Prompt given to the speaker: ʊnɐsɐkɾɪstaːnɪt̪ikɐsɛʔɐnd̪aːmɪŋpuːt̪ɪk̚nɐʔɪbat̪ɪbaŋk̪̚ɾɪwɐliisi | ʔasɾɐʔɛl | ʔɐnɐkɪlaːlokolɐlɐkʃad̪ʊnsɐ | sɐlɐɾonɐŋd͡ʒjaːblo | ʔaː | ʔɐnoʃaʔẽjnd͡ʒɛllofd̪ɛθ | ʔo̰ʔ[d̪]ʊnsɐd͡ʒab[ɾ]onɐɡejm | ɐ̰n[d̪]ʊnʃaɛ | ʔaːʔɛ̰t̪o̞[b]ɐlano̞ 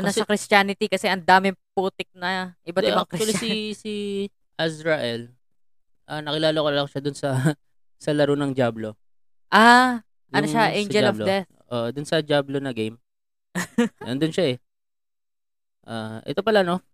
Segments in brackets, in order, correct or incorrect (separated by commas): correct, incorrect, correct, incorrect